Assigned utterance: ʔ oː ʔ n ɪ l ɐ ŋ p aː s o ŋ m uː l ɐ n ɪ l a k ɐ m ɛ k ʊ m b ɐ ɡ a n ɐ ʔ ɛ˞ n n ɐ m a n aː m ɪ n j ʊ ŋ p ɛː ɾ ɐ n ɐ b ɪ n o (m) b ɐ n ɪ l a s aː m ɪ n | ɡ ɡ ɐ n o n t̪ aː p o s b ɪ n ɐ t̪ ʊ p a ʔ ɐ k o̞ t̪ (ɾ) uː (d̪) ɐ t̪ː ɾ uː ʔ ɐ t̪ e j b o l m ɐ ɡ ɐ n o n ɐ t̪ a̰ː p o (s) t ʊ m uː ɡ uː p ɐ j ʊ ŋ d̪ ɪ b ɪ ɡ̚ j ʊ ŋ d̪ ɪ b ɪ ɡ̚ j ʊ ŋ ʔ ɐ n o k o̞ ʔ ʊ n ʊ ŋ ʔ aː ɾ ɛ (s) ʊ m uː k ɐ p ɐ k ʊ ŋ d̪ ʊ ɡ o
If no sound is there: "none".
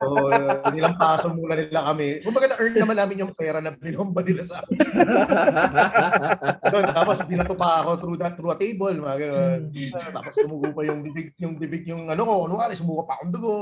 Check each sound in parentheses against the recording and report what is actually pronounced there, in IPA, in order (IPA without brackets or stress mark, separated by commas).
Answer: m, ɾ, d̪, s, s